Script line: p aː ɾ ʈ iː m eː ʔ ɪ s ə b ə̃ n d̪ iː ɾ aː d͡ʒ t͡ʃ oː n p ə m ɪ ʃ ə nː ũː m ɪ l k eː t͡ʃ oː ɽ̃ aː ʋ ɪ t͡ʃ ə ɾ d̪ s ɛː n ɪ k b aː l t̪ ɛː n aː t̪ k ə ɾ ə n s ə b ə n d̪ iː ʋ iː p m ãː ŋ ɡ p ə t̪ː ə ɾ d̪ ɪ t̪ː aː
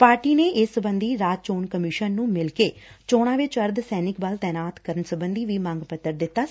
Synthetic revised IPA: p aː ɾ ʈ iː n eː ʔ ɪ s ə b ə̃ n d̪ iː ɾ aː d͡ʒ t͡ʃ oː n k ə m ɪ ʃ ə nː ũː m ɪ l k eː t͡ʃ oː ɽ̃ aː ʋ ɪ t͡ʃ ə ɾ d̪ s ɛː n ɪ k b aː l t̪ ɛː n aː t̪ k ə ɾ ə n s ə b ə n d̪ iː ʋ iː m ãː ŋ ɡ p ə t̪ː ə ɾ d̪ ɪ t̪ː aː